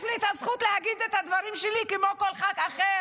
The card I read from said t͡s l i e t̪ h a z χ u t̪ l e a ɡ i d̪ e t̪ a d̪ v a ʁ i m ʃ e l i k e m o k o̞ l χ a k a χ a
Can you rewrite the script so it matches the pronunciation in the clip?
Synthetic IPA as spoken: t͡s l i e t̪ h a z χ u t̪ l e a ɡ i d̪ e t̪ a d̪ v a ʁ i m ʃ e l i k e m o k o̞ l χ a k a χ e